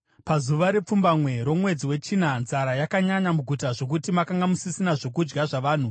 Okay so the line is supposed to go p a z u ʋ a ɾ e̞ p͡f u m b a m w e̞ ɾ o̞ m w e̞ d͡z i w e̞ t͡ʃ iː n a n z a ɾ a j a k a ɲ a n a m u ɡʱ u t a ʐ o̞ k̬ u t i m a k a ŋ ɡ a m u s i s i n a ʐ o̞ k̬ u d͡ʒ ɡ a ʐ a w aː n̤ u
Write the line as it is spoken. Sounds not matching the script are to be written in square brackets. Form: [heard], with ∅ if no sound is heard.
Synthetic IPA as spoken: p a z u ʋ a ɾ e̞ p͡f u m b a m w e̞ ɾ o̞ m w e̞ d͡z i w e̞ t͡ʃ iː n a n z a ɾ a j a k a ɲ a [ɲ] a m u ɡʱ u t a ʐ o̞ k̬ u t i m a k a ŋ ɡ a m u s i s i n a ʐ o̞ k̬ u d͡ʒ ɡ a ʐ a [ʋ] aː n̤ u